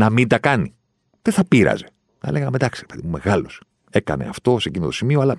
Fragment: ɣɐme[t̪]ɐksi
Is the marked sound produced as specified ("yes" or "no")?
no